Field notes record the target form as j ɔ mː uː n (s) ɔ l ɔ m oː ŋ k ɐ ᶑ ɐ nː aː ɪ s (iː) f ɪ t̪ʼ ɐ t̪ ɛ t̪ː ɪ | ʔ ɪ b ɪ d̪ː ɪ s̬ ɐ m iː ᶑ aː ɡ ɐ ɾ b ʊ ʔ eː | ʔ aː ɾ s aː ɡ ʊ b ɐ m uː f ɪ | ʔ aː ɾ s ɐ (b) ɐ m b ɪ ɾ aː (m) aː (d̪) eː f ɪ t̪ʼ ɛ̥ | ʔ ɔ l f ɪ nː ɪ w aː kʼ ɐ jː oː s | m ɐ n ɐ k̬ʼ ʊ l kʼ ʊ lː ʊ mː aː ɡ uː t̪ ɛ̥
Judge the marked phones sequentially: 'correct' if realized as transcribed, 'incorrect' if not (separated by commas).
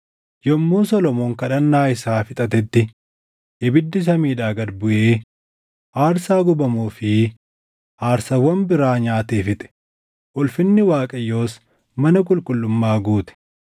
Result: correct, incorrect, incorrect, incorrect, incorrect